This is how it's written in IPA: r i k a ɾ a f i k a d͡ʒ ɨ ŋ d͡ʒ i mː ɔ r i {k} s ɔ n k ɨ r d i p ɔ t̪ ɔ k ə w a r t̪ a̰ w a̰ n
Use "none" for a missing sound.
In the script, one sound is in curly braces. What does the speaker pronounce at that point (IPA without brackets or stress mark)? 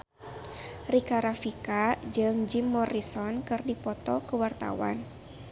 none